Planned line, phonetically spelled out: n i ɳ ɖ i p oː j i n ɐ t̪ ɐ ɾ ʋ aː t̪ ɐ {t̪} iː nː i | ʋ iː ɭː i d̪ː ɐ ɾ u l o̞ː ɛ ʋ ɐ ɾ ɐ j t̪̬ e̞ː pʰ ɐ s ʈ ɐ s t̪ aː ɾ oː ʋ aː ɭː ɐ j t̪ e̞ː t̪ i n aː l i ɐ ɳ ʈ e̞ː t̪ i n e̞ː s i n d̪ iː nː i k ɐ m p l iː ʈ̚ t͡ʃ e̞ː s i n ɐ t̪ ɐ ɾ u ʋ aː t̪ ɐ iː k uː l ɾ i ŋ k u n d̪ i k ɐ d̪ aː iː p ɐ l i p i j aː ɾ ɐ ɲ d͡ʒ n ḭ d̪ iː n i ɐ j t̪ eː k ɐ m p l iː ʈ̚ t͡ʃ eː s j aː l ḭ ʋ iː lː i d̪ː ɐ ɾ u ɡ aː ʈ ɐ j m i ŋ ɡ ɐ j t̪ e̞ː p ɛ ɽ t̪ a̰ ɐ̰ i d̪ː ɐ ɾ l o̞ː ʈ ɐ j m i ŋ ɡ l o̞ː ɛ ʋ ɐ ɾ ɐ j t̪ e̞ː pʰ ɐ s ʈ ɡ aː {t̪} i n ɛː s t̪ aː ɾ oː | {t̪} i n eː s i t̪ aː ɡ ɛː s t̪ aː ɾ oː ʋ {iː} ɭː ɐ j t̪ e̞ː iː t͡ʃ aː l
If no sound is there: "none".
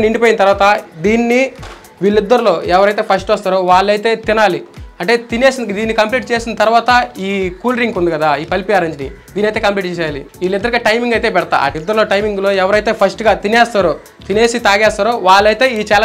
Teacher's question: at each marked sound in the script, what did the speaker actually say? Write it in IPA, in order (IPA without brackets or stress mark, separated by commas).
d̪, t̪, t̪, aː